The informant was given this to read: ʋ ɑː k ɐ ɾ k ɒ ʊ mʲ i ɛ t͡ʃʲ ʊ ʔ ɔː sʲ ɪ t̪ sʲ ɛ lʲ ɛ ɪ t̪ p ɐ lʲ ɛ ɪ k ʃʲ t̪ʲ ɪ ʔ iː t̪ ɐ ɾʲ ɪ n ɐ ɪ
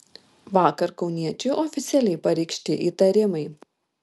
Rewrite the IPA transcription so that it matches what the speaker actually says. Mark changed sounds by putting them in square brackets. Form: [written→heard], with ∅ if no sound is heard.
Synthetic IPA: ʋ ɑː k ɐ ɾ k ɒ ʊ [mʲ→nʲ] i ɛ t͡ʃʲ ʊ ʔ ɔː [sʲ→fʲ] ɪ t̪ sʲ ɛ lʲ ɛ ɪ [t̪→∅] p ɐ [lʲ→ɾʲ] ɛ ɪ k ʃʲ t̪ʲ ɪ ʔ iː t̪ ɐ ɾʲ ɪ [n→m] ɐ ɪ